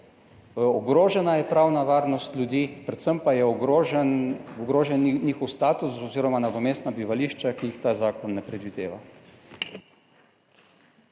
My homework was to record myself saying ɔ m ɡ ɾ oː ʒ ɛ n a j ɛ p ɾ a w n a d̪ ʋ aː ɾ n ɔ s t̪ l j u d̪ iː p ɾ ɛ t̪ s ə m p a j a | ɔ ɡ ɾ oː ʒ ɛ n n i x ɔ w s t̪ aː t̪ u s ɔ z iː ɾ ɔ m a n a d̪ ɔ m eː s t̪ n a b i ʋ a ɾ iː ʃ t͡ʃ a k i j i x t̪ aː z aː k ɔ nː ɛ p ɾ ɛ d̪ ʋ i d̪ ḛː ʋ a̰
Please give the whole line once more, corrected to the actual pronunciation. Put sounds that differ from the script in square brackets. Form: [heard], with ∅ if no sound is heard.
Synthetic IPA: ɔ [∅] ɡ ɾ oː ʒ ɛ n a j ɛ p ɾ a w n a [∅] ʋ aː ɾ n ɔ s t̪ l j u d̪ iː p ɾ ɛ t̪ s ə m p a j [ɛ] | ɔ ɡ ɾ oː ʒ ɛ n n i x ɔ w s t̪ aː t̪ u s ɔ z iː ɾ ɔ m a n a d̪ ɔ m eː s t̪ n a b i ʋ a [l] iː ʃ t͡ʃ a k i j i x t̪ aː z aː k ɔ nː ɛ p ɾ ɛ d̪ ʋ i d̪ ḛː ʋ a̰

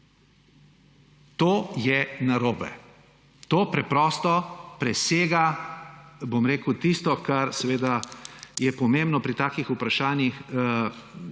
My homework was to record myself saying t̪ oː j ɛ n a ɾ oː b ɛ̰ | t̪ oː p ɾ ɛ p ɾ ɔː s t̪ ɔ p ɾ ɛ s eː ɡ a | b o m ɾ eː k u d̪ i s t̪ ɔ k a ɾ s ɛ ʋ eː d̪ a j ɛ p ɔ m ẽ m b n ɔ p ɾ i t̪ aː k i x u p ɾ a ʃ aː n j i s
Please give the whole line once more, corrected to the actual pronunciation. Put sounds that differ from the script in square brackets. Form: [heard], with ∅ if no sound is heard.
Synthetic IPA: t̪ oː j ɛ n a ɾ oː b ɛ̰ | t̪ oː p ɾ ɛ p ɾ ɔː s t̪ ɔ p ɾ ɛ s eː ɡ a | b o m ɾ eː k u [t̪] i s t̪ ɔ k a ɾ s ɛ ʋ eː d̪ a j ɛ p ɔ m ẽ m b n ɔ p ɾ i t̪ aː k i x u p ɾ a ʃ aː n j i [x]

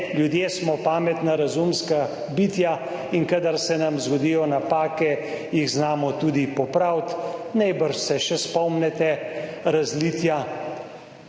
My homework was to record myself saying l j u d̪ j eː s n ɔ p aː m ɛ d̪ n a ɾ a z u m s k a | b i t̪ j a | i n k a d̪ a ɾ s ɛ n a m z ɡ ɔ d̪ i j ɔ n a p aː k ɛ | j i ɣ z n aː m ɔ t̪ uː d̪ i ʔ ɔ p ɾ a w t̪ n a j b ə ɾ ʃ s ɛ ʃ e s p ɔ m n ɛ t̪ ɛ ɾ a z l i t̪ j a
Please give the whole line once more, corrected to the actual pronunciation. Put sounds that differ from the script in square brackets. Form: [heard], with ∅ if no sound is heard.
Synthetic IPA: l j u d̪ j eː s [m] ɔ p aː m ɛ [t̪] n a ɾ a z u m s k a | b i t̪ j a | i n k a d̪ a ɾ s ɛ n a m z ɡ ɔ d̪ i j ɔ n a p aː k ɛ | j i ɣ z n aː m ɔ t̪ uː d̪ i [p] ɔ p ɾ a w t̪ n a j b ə ɾ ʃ s ɛ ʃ [ɛ] s p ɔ m n ɛ t̪ ɛ ɾ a z l i t̪ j a

